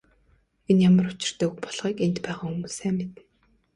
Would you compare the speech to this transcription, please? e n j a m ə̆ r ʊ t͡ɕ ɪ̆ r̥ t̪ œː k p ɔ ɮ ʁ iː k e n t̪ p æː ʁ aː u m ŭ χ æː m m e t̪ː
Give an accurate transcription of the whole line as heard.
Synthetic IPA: e n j a m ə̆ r ʊ t͡ɕ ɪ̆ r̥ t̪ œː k p ɔ ɮ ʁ iː k e n t̪ p æː ʁ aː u m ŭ s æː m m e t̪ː